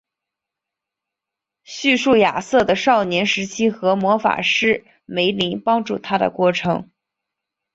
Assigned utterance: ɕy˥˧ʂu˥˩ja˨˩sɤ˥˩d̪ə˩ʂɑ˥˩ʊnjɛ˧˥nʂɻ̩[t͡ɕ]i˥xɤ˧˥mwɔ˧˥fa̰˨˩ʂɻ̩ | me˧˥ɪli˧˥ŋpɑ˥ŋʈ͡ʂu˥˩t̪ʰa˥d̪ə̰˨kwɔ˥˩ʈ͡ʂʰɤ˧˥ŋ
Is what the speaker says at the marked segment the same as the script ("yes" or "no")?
no